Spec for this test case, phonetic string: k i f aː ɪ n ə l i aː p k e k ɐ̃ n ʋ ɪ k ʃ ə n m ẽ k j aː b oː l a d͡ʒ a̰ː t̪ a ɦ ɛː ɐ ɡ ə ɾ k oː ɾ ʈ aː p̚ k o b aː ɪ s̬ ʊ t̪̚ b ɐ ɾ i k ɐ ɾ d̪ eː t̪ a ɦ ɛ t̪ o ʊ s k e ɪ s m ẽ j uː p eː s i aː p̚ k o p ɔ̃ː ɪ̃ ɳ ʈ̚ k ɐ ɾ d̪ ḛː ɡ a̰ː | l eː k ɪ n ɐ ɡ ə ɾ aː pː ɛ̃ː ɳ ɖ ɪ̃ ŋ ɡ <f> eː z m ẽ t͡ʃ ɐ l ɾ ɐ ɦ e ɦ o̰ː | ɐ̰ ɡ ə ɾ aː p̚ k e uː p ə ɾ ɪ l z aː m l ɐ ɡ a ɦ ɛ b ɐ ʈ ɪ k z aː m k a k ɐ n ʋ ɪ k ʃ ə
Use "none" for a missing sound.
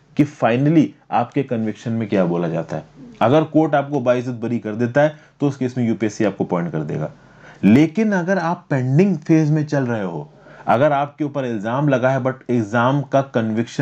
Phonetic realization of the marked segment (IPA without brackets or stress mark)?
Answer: f